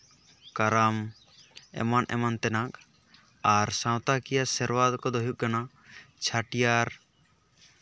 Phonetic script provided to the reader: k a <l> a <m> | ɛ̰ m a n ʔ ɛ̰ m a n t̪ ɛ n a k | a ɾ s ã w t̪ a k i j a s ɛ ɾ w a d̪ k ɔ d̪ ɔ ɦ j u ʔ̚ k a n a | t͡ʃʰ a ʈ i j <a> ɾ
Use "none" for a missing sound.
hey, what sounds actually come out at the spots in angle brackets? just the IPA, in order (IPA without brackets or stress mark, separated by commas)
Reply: ɾ, m, a